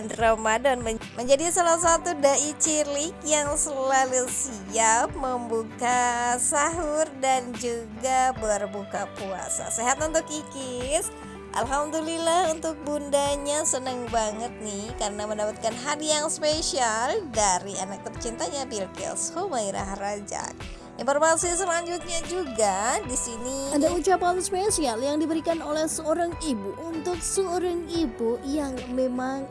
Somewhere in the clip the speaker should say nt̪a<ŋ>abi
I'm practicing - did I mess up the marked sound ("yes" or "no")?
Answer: yes